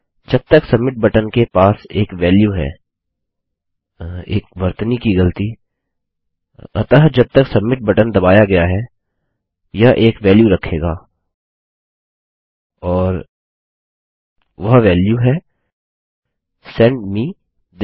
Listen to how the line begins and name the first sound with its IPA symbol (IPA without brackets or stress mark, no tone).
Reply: d͡ʒ